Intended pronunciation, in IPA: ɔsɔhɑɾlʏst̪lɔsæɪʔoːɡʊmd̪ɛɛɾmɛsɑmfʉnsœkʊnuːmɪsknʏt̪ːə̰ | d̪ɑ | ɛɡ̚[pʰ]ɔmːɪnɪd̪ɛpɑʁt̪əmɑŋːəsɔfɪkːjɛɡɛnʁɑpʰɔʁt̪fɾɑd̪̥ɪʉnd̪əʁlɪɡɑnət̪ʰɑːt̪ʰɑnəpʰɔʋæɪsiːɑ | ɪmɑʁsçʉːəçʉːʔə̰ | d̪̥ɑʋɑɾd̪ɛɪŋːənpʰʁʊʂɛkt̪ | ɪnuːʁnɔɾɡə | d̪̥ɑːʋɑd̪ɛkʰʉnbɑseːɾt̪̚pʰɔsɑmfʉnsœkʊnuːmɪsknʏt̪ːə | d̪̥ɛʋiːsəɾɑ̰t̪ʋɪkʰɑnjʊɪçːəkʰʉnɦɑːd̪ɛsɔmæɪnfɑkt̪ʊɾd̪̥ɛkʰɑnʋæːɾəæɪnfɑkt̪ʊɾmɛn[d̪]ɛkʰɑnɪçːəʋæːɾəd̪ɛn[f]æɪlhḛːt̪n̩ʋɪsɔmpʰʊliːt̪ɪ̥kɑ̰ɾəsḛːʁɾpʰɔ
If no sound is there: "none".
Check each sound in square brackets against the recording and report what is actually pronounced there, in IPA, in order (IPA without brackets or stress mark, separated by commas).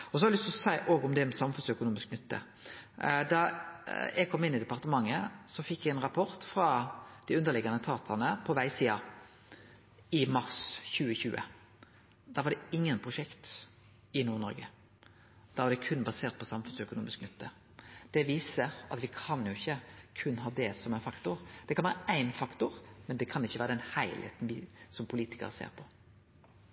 kʰ, d̪, h